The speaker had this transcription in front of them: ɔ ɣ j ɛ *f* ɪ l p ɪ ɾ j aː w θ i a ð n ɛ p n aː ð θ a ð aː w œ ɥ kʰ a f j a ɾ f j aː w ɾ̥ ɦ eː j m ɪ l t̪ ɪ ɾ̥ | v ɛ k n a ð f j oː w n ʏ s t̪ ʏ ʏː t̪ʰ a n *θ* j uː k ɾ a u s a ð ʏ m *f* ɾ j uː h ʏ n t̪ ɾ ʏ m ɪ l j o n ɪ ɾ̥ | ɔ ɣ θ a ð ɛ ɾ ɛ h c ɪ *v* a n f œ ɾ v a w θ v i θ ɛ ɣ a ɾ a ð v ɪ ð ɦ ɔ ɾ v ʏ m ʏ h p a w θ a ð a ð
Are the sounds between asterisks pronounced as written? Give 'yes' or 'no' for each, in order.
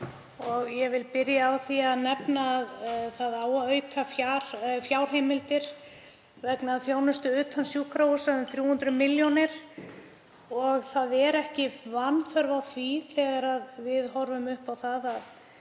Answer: no, no, no, yes

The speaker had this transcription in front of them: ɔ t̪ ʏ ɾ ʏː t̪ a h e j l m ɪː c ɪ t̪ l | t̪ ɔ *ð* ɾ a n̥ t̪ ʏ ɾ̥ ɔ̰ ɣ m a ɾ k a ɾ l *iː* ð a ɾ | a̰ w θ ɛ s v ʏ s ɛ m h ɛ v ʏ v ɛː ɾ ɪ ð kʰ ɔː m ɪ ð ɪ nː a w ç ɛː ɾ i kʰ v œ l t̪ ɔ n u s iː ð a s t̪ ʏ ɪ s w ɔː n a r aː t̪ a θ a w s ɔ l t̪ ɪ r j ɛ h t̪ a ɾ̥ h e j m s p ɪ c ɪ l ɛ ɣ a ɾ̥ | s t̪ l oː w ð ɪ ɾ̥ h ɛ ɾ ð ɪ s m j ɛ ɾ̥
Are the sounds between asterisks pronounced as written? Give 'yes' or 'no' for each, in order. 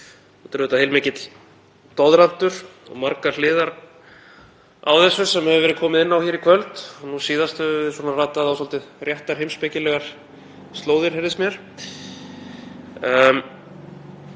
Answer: yes, no

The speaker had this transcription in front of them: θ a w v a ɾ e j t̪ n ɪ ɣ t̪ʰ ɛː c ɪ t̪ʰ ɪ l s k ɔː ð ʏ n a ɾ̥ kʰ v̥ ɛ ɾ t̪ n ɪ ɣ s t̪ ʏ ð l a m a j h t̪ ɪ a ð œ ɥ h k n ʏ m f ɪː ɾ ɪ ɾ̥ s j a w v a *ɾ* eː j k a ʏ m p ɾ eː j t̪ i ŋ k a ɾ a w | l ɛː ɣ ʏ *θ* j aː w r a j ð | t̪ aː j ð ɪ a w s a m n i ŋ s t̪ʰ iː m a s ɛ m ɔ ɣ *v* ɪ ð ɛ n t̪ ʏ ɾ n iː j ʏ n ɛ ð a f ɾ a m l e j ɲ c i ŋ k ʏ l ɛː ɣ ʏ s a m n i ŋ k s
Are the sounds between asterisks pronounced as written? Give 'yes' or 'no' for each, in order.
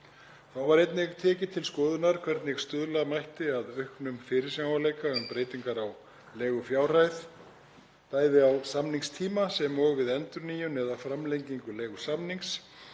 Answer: no, no, yes

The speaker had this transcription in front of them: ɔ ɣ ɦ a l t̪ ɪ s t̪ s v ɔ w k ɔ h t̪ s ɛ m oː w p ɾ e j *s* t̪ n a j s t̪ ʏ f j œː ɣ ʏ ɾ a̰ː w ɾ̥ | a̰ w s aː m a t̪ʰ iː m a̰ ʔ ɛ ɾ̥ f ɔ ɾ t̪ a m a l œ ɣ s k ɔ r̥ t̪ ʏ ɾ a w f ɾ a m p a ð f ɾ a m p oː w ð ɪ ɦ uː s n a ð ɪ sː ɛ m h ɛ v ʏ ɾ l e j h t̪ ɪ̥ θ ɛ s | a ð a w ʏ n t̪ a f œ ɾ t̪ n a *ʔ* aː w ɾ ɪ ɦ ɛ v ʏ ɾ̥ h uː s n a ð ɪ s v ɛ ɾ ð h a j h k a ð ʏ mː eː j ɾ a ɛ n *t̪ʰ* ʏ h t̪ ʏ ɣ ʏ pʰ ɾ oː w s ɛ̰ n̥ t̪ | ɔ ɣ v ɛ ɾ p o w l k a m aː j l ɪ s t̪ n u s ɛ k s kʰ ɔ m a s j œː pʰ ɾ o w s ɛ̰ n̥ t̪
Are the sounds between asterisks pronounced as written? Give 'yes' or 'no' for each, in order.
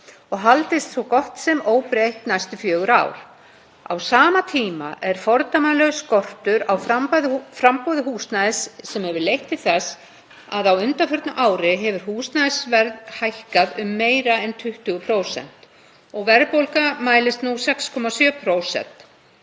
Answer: no, yes, yes

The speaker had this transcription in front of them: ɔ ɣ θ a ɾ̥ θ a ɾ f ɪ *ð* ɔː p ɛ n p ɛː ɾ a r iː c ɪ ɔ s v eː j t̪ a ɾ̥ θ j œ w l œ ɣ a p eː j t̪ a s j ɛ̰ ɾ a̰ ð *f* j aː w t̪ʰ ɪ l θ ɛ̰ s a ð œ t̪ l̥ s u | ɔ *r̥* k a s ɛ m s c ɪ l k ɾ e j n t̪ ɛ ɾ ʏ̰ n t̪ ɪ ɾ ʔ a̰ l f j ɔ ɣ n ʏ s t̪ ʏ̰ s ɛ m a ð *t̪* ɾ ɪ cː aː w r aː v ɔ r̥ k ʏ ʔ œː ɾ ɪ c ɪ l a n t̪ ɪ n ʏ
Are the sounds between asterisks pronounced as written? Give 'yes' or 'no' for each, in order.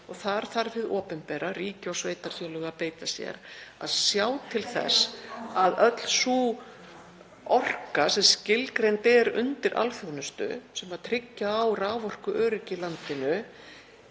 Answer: yes, no, yes, no

